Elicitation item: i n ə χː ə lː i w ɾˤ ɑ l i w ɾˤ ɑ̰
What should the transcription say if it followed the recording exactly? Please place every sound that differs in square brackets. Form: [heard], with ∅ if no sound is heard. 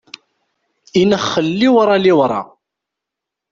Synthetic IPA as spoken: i n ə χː ə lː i w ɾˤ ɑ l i w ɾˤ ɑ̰